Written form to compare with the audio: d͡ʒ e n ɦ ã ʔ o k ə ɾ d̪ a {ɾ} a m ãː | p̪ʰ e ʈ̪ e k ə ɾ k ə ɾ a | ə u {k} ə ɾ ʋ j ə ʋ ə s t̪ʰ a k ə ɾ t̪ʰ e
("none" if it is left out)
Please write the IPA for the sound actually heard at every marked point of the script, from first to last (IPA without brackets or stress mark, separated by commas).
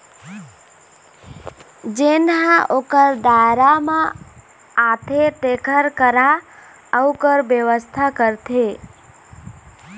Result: ɾ, k